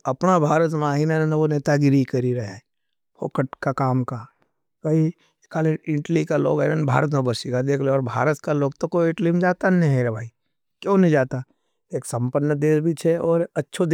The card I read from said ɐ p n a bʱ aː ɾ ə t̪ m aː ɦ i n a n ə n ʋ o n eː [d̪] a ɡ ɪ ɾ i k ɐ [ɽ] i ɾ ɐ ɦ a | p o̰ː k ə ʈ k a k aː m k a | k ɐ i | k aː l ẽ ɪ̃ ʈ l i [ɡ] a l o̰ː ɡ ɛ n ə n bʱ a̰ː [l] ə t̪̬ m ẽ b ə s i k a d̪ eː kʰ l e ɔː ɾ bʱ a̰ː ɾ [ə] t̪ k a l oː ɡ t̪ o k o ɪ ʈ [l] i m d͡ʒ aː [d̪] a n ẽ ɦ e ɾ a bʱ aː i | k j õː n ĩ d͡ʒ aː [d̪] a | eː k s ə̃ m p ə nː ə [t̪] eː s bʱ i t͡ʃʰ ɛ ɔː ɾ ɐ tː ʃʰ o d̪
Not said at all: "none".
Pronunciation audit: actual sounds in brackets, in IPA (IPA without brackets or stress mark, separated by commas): t̪, ɾ, k, ɾ, ə, l, t̪, t̪, d̪